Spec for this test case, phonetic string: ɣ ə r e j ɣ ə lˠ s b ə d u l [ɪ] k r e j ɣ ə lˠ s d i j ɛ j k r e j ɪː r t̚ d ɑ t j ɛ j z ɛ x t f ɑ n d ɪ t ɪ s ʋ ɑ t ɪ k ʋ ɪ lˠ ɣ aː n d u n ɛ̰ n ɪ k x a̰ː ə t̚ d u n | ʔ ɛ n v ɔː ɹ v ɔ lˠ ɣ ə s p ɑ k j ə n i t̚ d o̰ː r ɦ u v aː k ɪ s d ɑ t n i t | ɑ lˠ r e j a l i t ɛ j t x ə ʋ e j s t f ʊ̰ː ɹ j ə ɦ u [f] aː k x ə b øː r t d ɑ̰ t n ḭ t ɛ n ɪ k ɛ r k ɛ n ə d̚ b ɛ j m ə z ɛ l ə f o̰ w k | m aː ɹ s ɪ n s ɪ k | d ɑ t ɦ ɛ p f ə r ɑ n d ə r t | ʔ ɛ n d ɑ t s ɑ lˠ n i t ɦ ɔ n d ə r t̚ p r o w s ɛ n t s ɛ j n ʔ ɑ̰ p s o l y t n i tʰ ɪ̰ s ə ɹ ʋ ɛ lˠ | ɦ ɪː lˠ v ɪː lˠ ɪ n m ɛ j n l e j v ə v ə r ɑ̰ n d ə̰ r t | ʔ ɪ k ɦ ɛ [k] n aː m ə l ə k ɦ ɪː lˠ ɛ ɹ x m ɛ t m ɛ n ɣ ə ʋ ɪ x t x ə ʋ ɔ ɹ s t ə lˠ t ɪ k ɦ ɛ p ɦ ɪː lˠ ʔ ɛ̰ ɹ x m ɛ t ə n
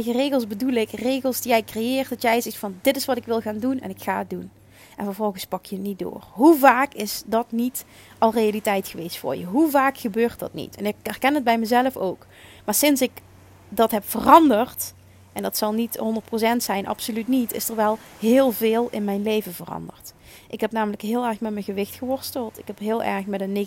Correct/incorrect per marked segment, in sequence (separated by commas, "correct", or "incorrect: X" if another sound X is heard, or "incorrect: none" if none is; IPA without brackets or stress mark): correct, incorrect: v, incorrect: p